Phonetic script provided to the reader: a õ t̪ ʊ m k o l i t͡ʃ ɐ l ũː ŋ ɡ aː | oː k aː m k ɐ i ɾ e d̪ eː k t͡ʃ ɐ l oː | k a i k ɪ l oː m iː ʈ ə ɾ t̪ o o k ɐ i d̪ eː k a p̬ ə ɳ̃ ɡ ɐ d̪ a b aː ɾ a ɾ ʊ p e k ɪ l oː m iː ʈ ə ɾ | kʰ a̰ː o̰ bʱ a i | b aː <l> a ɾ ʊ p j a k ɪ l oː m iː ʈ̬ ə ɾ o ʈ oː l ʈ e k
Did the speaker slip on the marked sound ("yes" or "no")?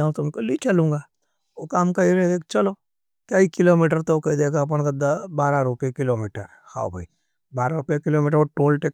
yes